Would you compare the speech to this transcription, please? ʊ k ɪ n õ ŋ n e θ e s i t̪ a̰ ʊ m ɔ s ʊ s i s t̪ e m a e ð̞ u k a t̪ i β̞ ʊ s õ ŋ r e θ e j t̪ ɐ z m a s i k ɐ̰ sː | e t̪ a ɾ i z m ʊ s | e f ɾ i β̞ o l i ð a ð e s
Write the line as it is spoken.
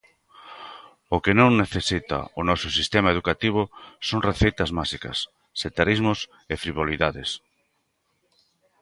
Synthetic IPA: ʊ k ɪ n õ ŋ n e θ e s i t̪ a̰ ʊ n ɔ s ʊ s i s t̪ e m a e ð̞ u k a t̪ i β̞ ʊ s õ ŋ r e θ e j t̪ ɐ z m a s i k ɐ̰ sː | e t̪ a ɾ i z m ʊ s | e f ɾ i β̞ o l i ð a ð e s